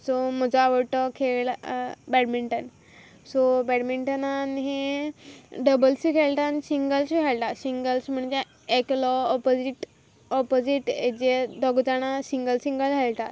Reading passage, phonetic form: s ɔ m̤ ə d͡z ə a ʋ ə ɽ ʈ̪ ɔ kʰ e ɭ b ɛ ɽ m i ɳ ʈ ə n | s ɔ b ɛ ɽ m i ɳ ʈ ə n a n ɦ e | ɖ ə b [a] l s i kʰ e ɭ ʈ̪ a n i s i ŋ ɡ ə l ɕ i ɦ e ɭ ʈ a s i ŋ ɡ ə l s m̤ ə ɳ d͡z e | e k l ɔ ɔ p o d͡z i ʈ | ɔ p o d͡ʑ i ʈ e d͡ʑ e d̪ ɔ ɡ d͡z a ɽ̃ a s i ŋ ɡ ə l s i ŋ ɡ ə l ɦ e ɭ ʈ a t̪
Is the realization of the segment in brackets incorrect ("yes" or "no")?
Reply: yes